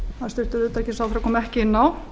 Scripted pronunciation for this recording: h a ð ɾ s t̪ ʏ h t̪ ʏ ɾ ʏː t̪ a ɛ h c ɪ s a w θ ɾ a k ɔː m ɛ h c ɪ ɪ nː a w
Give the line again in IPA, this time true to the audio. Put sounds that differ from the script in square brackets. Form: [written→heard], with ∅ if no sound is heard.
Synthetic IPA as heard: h a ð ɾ s t̪ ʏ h t̪ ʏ ɾ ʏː t̪ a ɛ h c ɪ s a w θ ɾ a k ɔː m ɛ h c ɪ ɪ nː a w

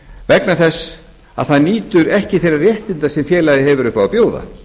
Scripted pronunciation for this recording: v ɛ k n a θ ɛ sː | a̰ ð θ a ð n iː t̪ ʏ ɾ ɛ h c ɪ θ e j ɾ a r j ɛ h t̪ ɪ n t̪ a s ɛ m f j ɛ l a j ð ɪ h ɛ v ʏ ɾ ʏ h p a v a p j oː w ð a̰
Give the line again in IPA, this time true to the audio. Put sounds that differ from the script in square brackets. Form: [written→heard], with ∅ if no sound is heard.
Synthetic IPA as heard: v ɛ k n a θ ɛ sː | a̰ ð θ a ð n iː t̪ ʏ ɾ ɛ h c ɪ θ e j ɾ a r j ɛ h t̪ ɪ n t̪ a s ɛ m f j [ɛ→ɛː] l a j ð ɪ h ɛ v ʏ ɾ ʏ h p a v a p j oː w ð a̰

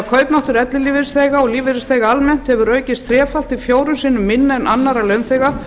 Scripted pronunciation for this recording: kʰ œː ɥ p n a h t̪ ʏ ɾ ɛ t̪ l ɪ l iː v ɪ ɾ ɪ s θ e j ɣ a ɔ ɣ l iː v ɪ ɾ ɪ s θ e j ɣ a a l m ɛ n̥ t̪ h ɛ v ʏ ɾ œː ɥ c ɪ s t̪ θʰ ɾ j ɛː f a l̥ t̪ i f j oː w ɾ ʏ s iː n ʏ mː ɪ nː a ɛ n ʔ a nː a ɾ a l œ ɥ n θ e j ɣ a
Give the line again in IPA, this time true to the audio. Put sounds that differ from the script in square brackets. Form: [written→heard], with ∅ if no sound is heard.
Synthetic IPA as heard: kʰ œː ɥ p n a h t̪ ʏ ɾ ɛ t̪ l ɪ l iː v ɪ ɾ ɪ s θ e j ɣ a ɔ ɣ l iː v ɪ ɾ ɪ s θ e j ɣ a a l m ɛ n̥ t̪ h ɛ v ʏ ɾ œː ɥ c ɪ s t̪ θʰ ɾ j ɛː f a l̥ t̪ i f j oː w ɾ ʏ s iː n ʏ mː ɪ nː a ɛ n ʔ a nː a ɾ a l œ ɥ n θ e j ɣ a

